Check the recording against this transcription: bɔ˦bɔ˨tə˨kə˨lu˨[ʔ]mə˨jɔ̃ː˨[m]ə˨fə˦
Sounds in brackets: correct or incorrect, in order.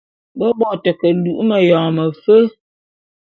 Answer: correct, correct

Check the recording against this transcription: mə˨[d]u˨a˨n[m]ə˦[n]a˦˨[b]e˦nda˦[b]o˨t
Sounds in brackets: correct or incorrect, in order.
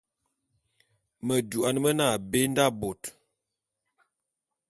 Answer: correct, correct, correct, correct, correct

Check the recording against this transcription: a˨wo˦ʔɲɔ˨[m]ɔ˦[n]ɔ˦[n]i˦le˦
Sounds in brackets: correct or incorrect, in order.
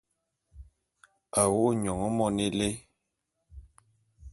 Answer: incorrect, incorrect, correct

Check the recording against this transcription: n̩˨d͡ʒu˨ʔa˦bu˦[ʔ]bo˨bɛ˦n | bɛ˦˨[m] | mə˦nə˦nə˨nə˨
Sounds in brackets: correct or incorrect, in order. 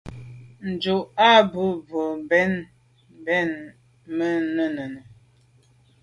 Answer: incorrect, incorrect

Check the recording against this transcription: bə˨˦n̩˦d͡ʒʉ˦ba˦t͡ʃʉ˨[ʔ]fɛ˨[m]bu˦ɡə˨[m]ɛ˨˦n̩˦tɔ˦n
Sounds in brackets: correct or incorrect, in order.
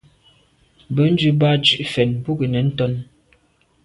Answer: correct, incorrect, incorrect

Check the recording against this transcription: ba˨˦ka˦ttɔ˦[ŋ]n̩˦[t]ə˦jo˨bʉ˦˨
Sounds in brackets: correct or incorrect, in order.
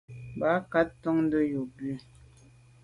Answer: correct, incorrect

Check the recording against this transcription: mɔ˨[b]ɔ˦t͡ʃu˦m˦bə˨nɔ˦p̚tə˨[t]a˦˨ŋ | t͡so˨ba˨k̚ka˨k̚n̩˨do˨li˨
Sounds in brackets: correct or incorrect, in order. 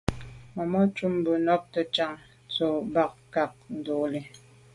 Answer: incorrect, incorrect

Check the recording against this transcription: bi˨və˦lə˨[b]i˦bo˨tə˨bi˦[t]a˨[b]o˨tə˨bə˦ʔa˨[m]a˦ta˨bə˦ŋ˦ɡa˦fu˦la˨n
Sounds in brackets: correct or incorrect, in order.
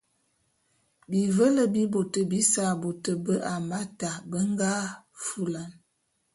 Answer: correct, incorrect, correct, correct

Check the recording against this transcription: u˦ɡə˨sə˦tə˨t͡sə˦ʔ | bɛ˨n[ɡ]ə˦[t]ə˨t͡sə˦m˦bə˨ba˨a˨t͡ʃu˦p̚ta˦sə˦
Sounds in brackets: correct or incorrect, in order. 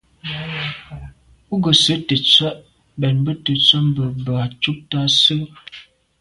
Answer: incorrect, correct

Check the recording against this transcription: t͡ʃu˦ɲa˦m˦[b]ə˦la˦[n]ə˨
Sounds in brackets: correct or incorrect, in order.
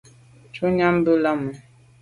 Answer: correct, incorrect

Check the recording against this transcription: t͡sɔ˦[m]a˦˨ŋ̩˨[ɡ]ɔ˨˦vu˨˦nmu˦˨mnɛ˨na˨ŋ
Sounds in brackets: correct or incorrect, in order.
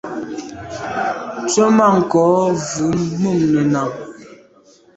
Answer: correct, incorrect

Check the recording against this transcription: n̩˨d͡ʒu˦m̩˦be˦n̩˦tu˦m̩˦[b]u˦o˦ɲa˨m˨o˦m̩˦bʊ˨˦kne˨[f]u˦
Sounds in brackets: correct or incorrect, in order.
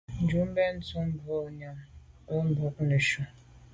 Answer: correct, incorrect

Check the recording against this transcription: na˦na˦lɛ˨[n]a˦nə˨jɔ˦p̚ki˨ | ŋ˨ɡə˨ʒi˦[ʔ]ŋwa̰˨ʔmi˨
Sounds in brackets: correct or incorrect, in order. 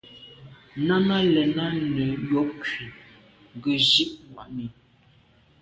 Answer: correct, correct

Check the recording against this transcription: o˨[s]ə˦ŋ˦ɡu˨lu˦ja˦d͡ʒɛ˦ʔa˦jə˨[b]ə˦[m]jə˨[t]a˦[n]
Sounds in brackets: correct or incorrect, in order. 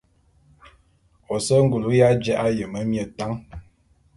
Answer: correct, incorrect, correct, correct, incorrect

